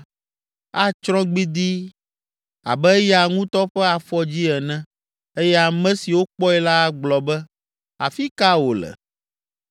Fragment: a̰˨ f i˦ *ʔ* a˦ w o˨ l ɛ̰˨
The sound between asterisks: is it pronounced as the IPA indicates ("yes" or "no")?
no